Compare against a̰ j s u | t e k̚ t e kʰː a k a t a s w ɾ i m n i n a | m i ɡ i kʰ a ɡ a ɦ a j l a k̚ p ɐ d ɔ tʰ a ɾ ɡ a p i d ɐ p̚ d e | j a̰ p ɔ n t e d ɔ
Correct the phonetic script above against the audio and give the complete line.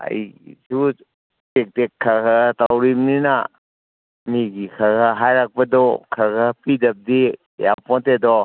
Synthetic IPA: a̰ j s u | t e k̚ t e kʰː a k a t a w ɾ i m n i n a | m i ɡ i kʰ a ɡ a ɦ a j ɾ a k̚ p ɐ d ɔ kʰ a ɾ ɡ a p i d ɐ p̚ d i | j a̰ p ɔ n t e d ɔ